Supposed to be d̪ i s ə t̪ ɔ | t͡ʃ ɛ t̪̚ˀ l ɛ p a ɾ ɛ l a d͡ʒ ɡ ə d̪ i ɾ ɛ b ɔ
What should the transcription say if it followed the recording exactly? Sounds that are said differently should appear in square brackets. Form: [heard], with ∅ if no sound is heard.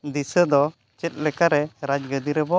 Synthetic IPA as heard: d̪ i s ə [d̪] ɔ | t͡ʃ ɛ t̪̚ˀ l ɛ [k] a ɾ ɛ [ɾ] a d͡ʒ ɡ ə d̪ i ɾ ɛ b ɔ